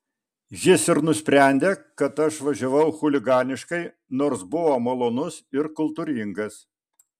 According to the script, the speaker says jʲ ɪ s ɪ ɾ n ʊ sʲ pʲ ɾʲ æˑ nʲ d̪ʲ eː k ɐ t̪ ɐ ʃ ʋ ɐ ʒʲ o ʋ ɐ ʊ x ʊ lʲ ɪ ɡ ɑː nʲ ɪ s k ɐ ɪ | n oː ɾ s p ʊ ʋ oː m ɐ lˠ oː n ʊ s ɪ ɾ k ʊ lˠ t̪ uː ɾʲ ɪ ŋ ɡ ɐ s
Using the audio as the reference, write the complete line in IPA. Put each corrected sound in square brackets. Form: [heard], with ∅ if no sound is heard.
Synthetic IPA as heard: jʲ ɪ s ɪ ɾ n ʊ sʲ pʲ ɾʲ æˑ nʲ d̪ʲ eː k ɐ t̪ ɐ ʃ ʋ ɐ ʒʲ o ʋ ɐ ʊ x ʊ lʲ ɪ ɡ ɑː nʲ ɪ [ʃ] k ɐ ɪ | n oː ɾ s [b] ʊ ʋ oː m ɐ lˠ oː n ʊ s ɪ ɾ k ʊ lˠ t̪ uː ɾʲ ɪ ŋ ɡ ɐ s